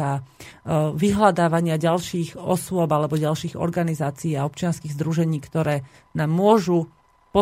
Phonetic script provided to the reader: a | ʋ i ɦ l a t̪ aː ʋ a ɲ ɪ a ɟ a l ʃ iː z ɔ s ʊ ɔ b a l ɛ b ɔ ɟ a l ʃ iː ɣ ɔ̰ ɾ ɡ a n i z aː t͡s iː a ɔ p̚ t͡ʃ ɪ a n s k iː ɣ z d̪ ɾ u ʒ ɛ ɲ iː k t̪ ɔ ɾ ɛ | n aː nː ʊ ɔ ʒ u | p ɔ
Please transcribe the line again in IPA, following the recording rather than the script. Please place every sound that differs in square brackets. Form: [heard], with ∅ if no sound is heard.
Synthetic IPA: a | ʋ i ɦ l a [d̪] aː ʋ a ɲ ɪ a ɟ a l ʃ iː [ɣ] ɔ s ʊ ɔ b a l ɛ b ɔ ɟ a l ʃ iː ɣ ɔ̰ ɾ ɡ a n i z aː t͡s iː a ɔ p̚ t͡ʃ ɪ a n s k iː ɣ z d̪ ɾ u ʒ ɛ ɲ iː k t̪ ɔ ɾ [ɛː] | n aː [mː] ʊ ɔ ʒ u | p ɔ